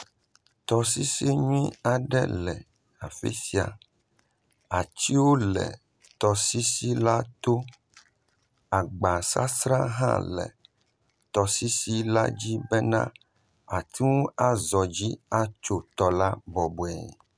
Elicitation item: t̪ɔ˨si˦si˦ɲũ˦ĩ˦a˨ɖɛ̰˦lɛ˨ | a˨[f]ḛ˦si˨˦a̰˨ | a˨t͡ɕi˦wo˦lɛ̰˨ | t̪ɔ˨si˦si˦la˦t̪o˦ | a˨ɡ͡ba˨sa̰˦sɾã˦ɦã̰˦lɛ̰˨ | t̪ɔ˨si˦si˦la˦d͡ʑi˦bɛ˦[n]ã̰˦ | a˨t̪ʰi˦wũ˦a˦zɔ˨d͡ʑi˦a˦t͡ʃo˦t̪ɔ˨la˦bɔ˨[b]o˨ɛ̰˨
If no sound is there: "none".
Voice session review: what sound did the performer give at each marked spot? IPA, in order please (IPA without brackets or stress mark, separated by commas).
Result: f, n, b